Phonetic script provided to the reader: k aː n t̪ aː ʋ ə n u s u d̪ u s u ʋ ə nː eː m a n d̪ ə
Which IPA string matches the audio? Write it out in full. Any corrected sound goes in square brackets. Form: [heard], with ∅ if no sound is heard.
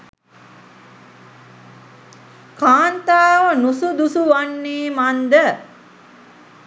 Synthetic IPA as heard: k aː n t̪ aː ʋ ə n u s u d̪ u s u ʋ [a] nː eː m a n d̪ ə